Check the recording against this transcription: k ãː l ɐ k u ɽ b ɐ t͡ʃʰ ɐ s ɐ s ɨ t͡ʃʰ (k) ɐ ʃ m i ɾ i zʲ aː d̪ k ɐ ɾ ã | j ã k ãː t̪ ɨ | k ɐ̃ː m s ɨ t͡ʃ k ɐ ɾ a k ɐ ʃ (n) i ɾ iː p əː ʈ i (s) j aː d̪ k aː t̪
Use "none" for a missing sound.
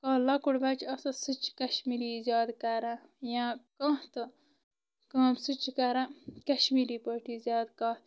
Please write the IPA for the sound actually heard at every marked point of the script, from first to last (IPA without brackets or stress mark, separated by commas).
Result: k, m, z